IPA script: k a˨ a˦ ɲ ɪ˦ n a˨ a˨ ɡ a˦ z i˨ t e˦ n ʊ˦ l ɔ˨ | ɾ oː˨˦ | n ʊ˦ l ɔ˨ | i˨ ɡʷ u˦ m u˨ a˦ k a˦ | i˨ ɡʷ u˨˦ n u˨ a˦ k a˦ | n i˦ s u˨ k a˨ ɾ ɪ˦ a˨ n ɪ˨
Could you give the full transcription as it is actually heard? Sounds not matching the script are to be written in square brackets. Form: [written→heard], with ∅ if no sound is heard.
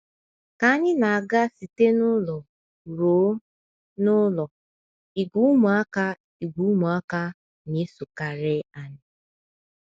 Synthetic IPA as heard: k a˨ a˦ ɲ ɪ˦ n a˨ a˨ ɡ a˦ [z→s] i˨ t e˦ n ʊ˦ l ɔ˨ | ɾ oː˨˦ | n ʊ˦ l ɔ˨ | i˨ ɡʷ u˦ m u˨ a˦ k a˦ | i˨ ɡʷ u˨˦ [n→m] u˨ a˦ k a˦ | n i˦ s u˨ k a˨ ɾ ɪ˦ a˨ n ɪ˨

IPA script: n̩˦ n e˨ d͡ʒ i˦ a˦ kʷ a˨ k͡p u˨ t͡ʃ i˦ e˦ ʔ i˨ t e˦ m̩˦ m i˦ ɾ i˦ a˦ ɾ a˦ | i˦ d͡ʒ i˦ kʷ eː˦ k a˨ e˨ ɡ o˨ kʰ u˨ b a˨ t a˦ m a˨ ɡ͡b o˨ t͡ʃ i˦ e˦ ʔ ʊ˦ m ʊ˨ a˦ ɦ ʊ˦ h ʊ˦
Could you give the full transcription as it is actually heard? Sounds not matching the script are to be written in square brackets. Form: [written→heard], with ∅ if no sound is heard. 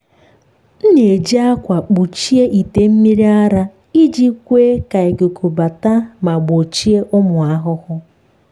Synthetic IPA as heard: n̩˦ n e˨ d͡ʒ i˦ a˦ kʷ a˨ k͡p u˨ t͡ʃ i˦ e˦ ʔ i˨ t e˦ m̩˦ m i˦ ɾ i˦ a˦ ɾ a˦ | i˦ d͡ʒ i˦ kʷ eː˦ k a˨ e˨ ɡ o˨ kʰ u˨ b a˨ t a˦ m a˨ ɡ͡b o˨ t͡ʃ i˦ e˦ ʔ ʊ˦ m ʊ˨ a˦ ɦ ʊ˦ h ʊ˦

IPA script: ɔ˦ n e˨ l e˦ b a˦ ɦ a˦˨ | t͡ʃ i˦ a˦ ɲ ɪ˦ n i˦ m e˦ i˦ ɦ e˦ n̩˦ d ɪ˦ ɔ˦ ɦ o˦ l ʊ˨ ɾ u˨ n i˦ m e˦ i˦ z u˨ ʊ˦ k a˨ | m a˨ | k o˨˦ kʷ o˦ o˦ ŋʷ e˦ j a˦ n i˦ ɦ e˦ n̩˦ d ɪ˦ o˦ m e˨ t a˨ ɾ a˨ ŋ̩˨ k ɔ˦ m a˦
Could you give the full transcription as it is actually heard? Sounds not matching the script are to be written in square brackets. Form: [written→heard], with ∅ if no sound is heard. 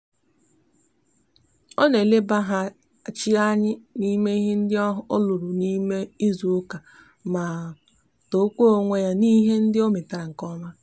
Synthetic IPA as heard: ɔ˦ n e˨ l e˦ b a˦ ɦ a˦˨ | t͡ʃ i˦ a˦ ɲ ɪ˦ n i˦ m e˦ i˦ ɦ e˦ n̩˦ d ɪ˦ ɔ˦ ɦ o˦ l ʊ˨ ɾ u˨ n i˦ m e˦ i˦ z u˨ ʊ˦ k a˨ | m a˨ | [k→t] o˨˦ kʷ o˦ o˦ ŋʷ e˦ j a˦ n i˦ ɦ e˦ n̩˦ d ɪ˦ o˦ m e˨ t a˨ ɾ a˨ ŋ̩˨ k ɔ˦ m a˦

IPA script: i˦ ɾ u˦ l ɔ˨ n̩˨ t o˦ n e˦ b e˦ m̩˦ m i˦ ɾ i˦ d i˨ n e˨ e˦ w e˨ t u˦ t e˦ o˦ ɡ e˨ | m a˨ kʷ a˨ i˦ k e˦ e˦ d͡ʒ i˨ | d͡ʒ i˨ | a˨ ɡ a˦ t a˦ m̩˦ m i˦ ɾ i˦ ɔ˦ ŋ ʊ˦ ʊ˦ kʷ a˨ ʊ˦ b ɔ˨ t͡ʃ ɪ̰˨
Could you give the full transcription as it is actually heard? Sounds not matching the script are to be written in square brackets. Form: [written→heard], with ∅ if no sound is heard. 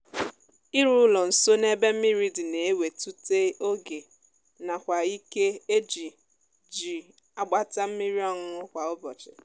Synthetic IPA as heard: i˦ ɾ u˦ l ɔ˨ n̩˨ [t→s] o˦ n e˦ b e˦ m̩˦ m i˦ ɾ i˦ d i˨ n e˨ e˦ w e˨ t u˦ t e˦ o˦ ɡ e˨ | [m→n] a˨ kʷ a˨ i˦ k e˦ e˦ d͡ʒ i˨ | d͡ʒ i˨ | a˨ [ɡ→ɡ͡b] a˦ t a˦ m̩˦ m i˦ ɾ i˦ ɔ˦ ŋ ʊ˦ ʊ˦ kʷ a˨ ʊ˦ b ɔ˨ t͡ʃ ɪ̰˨

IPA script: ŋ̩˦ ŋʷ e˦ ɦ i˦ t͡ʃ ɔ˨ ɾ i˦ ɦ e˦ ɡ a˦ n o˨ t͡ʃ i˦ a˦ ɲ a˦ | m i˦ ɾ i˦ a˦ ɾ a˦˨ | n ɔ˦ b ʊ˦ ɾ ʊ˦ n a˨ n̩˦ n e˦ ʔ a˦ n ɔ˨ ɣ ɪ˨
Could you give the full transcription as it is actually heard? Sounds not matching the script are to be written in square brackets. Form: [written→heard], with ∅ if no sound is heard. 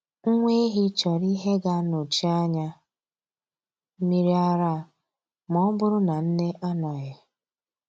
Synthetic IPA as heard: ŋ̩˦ ŋʷ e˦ ɦ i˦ t͡ʃ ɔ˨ ɾ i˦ ɦ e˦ ɡ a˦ n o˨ t͡ʃ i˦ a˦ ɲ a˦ | m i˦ ɾ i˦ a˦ ɾ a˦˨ | [n→m] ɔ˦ b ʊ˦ ɾ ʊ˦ n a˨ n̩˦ n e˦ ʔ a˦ n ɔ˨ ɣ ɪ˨

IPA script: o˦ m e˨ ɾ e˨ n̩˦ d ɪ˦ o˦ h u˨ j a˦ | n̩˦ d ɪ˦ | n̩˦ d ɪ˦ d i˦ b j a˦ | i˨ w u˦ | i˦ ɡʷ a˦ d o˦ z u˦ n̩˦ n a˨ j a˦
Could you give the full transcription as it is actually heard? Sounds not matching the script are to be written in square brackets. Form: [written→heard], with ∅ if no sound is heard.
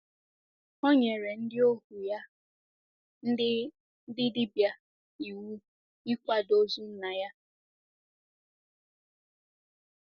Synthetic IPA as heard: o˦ [m→ɲ] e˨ ɾ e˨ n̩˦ d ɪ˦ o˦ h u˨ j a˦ | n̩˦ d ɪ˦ | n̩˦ d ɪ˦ d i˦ b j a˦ | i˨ w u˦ | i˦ [ɡʷ→kʷ] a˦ d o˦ z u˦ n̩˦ n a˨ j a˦

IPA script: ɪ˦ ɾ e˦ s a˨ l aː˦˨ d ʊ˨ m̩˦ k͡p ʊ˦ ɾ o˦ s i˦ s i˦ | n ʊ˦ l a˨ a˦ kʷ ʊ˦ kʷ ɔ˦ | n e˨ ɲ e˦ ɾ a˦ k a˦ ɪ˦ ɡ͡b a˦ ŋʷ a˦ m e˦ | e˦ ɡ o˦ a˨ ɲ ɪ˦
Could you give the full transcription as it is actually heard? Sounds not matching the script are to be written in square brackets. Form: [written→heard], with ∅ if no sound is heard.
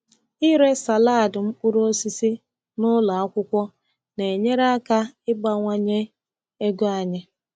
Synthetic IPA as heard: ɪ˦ ɾ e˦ s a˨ l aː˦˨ d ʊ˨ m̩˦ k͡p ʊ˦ ɾ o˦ s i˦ s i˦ | n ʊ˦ l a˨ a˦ kʷ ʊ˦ kʷ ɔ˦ | n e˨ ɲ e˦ ɾ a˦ k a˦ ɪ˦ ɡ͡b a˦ ŋʷ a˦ [m→ɲ] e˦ | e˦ ɡ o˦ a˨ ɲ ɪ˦

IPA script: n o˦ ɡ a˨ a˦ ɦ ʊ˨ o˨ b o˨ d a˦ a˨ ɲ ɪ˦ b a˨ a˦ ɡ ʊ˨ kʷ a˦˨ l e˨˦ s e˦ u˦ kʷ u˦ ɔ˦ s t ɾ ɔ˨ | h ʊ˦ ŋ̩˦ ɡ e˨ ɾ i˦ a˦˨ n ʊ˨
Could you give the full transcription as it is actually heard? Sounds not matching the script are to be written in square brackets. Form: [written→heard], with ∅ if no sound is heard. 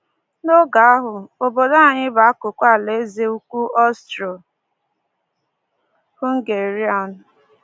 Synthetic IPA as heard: n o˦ ɡ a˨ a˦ ɦ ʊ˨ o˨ b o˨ d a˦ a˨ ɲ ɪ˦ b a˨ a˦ [ɡ→k] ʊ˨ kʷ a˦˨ l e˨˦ [s→z] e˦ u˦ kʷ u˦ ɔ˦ s t ɾ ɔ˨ | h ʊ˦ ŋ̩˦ ɡ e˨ ɾ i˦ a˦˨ n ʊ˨

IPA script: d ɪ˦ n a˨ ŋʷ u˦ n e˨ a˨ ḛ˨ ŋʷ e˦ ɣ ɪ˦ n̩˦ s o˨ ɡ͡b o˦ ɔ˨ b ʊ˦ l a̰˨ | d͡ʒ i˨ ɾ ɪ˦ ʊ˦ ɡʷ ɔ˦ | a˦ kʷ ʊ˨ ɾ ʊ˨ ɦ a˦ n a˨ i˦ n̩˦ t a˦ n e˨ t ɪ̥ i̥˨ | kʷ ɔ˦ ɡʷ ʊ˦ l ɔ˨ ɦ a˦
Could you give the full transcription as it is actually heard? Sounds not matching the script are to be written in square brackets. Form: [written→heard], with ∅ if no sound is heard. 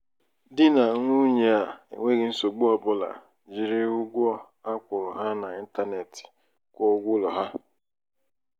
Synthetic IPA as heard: d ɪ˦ n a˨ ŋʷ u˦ [n→ɲ] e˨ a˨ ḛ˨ ŋʷ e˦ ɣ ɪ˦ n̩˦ s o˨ ɡ͡b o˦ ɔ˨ b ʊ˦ l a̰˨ | d͡ʒ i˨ ɾ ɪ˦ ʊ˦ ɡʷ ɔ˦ | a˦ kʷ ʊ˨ ɾ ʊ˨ ɦ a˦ n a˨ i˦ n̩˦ t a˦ n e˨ t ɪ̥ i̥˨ | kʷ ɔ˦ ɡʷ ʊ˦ l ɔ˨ ɦ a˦

